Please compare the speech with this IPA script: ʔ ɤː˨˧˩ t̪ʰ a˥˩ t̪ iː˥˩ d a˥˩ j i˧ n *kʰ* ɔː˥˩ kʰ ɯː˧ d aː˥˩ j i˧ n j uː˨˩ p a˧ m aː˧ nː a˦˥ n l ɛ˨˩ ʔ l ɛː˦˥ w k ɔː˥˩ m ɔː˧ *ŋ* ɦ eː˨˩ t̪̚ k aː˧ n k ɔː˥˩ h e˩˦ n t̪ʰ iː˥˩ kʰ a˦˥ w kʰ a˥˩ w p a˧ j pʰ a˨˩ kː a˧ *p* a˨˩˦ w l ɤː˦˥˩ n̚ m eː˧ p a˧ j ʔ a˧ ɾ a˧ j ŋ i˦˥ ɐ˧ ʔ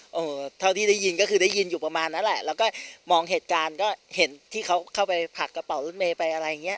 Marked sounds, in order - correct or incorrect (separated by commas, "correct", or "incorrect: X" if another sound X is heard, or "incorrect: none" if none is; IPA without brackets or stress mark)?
incorrect: k, correct, correct